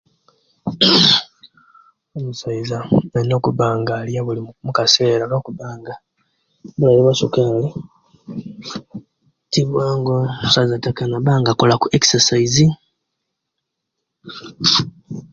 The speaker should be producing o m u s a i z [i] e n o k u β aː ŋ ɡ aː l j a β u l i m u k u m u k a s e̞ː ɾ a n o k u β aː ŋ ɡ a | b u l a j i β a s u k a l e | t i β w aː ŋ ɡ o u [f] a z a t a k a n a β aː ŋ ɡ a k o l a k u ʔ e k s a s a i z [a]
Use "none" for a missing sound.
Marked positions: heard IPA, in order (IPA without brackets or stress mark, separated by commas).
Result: a, s, i